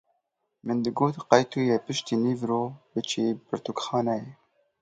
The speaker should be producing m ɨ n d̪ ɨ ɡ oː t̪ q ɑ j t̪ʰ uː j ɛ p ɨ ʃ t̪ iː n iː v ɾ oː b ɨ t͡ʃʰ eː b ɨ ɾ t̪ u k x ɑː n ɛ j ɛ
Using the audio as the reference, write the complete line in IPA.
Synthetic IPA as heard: m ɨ n d̪ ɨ ɡ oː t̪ q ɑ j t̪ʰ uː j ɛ p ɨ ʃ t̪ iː n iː v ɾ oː b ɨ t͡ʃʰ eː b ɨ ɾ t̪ u k x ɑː n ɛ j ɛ